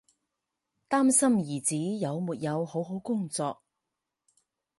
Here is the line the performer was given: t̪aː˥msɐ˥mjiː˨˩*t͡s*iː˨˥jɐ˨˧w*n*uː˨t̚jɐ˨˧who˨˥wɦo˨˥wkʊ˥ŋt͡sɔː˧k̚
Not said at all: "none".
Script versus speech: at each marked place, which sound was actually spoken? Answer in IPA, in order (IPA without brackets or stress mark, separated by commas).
t͡s, m